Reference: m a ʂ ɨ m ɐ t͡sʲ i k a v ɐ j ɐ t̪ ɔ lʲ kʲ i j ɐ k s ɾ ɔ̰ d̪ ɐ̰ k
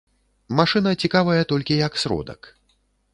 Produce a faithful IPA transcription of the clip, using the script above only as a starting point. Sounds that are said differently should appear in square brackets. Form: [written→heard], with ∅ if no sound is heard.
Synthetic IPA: m a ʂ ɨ [m→n] ɐ t͡sʲ i k a v ɐ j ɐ t̪ ɔ lʲ kʲ i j ɐ k s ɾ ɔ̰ d̪ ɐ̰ k

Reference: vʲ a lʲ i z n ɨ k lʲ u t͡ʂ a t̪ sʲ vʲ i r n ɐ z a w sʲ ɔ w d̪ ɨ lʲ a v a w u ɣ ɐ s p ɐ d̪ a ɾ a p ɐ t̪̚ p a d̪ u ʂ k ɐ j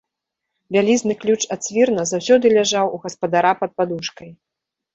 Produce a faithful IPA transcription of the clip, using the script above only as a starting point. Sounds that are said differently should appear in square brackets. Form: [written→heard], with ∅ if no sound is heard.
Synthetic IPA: vʲ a lʲ i z n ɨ k lʲ u t͡ʂ a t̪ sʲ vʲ i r n ɐ z a w sʲ ɔ [w→∅] d̪ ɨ lʲ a [v→ʐ] a w u ɣ ɐ s p ɐ d̪ a ɾ a p ɐ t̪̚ p a d̪ u ʂ k ɐ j

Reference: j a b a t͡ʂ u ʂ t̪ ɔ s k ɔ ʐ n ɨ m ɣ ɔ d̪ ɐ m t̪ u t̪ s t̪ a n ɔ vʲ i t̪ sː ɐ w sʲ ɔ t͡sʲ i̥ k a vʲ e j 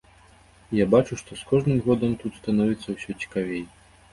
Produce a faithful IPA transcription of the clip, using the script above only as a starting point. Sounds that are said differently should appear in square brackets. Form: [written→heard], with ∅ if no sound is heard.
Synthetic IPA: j a b a t͡ʂ u ʂ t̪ ɔ s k ɔ ʐ n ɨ m ɣ ɔ d̪ ɐ m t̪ u t̪ s t̪ a n ɔ vʲ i t̪ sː ɐ w sʲ ɔ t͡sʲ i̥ k a vʲ e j

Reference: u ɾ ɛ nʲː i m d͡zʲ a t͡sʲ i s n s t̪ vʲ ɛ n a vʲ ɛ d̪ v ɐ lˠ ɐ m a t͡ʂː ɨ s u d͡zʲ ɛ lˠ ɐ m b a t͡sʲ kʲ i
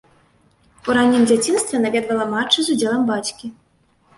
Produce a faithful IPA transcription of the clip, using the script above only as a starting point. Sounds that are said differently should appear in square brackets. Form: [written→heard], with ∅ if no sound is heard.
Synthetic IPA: u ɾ [ɛ→a] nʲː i m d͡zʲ a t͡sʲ i [s→∅] n s t̪ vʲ ɛ n a vʲ ɛ d̪ v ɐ lˠ ɐ m a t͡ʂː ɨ [s→z] u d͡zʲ ɛ lˠ ɐ m b a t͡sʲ kʲ i

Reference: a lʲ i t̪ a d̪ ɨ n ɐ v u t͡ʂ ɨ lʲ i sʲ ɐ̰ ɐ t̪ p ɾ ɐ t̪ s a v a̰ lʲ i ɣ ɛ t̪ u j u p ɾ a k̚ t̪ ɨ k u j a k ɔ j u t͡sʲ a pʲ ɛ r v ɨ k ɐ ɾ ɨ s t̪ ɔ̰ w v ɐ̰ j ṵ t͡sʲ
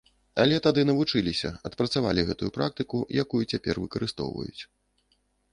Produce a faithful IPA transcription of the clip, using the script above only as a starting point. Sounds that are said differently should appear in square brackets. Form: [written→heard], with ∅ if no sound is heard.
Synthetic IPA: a lʲ [i→ɛ] t̪ a d̪ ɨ n ɐ v u t͡ʂ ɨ lʲ i sʲ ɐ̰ ɐ t̪ p ɾ ɐ t̪ s a v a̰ lʲ i ɣ ɛ t̪ u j u p ɾ a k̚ t̪ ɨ k u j a k [ɔ→u] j u t͡sʲ a pʲ ɛ r v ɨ k ɐ ɾ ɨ s t̪ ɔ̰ w v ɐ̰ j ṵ t͡sʲ

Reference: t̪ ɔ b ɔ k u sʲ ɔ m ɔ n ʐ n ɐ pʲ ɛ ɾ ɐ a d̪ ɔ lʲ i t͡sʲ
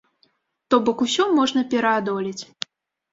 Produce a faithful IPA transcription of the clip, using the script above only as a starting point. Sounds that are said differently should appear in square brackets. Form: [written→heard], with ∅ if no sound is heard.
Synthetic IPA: t̪ ɔ b ɔ k u sʲ ɔ m ɔ [n→∅] ʐ n ɐ pʲ ɛ ɾ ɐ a d̪ ɔ lʲ i t͡sʲ

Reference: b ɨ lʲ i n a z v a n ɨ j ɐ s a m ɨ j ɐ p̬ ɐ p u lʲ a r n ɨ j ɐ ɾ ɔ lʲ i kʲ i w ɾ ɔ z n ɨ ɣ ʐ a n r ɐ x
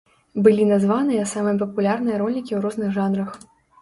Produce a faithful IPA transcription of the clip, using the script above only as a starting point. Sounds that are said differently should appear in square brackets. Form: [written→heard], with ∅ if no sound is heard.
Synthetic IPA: b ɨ lʲ i n a z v a n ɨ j ɐ s a m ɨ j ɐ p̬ ɐ p u lʲ a r n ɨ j ɐ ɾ ɔ lʲ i kʲ i w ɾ ɔ z n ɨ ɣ ʐ a n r ɐ x

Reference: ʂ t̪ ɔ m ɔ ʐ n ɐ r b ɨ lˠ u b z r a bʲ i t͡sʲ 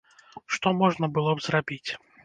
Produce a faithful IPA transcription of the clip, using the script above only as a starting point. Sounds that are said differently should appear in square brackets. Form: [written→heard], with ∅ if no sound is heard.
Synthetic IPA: ʂ t̪ ɔ m ɔ ʐ n ɐ [r→∅] b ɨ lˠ [u→ɔ] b z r a bʲ i t͡sʲ

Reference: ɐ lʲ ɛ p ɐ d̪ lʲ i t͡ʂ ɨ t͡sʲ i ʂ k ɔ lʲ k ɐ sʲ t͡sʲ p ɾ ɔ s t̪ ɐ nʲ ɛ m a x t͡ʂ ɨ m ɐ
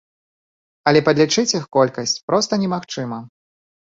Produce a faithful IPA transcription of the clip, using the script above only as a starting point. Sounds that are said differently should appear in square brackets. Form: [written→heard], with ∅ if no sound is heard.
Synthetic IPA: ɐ lʲ ɛ p ɐ d̪ lʲ i t͡ʂ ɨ t͡sʲ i [ʂ→x] k ɔ lʲ k ɐ sʲ t͡sʲ p ɾ ɔ s t̪ ɐ nʲ ɛ m a x t͡ʂ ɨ m ɐ

